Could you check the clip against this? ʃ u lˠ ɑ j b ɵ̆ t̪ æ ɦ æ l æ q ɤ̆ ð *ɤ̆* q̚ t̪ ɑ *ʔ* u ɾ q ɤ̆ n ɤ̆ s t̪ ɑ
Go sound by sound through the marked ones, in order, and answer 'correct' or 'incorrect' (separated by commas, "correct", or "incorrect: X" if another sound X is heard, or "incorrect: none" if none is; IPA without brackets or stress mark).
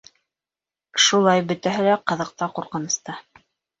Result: correct, incorrect: q